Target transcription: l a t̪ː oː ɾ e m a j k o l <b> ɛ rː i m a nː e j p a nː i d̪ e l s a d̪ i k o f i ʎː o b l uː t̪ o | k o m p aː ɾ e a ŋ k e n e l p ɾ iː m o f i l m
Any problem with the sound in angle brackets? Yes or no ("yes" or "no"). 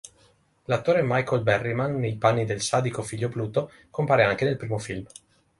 no